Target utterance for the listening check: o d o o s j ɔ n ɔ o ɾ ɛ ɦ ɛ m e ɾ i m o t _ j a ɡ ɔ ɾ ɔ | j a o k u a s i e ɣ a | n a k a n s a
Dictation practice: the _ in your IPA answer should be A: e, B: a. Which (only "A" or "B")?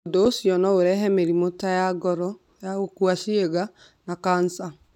B